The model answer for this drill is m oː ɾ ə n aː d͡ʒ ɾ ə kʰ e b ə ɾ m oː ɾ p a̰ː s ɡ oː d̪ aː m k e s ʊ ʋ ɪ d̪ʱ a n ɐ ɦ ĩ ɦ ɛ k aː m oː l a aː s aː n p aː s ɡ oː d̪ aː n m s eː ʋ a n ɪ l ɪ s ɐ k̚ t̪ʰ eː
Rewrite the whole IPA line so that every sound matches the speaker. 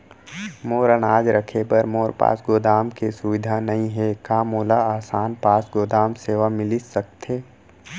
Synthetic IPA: m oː ɾ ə n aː d͡ʒ ɾ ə kʰ e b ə ɾ m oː ɾ p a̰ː s ɡ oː d̪ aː m k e s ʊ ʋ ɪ d̪ʱ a n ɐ ɦ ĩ ɦ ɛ k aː m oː l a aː s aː n p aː s ɡ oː d̪ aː m s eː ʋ a m ɪ l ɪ s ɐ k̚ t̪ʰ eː